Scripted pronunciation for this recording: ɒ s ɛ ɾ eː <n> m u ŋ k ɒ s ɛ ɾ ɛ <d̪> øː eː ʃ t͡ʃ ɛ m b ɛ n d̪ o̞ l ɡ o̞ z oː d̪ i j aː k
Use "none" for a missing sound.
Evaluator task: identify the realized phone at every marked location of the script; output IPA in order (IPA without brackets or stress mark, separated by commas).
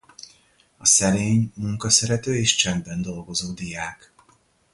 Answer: ɲ, t̪